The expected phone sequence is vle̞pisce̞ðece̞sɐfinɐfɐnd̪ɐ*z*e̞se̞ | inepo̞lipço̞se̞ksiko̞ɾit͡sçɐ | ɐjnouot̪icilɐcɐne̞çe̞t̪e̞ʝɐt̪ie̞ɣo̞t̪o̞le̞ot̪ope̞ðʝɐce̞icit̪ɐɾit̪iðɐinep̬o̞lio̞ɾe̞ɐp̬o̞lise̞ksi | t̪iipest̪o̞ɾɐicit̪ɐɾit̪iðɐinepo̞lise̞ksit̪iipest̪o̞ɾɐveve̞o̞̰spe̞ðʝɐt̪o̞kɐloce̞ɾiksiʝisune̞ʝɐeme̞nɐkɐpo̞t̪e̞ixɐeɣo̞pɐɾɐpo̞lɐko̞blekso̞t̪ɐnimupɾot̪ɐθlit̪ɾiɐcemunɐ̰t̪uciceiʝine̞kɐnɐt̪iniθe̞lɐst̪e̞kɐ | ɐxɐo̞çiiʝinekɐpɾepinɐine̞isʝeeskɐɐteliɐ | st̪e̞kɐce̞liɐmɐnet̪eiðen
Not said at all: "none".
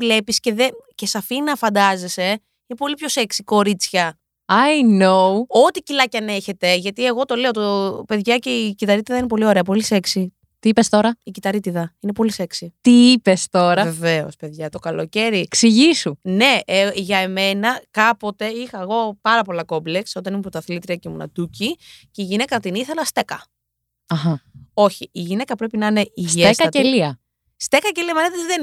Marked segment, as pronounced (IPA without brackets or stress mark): z